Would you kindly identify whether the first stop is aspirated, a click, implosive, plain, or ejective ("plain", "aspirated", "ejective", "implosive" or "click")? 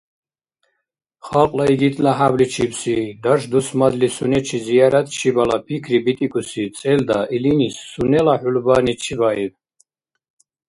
ejective